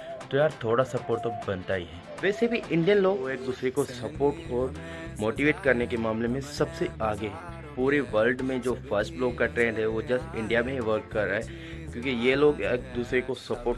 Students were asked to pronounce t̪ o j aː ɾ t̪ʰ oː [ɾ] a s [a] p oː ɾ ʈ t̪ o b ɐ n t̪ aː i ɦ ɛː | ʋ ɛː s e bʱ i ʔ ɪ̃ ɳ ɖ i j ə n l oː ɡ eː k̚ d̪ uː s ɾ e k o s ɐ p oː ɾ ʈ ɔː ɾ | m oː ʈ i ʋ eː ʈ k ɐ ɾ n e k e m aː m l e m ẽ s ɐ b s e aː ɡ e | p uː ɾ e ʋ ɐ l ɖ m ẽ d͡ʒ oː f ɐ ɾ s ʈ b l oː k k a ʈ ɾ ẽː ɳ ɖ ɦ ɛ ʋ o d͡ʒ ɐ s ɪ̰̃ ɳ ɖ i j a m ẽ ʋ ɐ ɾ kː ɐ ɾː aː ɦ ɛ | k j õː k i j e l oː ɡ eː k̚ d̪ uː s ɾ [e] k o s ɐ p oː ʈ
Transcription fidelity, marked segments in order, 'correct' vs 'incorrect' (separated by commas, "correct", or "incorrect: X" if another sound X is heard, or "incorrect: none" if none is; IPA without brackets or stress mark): incorrect: ɽ, incorrect: ɐ, correct